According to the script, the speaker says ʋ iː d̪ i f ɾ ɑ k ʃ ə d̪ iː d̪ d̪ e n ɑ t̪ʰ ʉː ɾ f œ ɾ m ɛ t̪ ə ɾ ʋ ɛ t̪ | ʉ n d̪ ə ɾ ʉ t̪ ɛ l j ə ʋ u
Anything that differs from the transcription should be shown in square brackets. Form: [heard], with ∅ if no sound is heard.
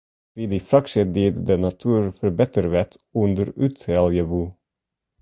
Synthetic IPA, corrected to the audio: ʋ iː d̪ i f ɾ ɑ k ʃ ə d̪ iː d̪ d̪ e n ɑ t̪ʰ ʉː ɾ f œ ɾ [b] ɛ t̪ ə ɾ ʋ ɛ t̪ | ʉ n d̪ ə ɾ ʉ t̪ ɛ l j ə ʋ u